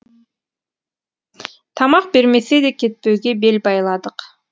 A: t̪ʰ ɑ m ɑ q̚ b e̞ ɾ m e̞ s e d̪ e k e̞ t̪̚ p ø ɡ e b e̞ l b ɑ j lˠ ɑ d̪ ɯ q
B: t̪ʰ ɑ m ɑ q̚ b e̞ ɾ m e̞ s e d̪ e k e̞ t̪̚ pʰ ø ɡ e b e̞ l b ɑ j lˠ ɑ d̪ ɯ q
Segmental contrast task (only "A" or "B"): A